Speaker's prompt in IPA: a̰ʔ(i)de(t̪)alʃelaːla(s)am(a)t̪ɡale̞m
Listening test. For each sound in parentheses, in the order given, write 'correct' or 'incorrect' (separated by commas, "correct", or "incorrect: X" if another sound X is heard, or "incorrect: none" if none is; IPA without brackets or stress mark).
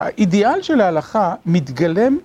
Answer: correct, incorrect: none, incorrect: χ, incorrect: i